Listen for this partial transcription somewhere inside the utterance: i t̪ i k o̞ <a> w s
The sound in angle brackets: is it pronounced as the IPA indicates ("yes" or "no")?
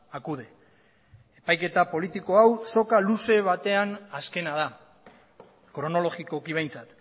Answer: yes